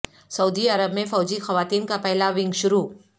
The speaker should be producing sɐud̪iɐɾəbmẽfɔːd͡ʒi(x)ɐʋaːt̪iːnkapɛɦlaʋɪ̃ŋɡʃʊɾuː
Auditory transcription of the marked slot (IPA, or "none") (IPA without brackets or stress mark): x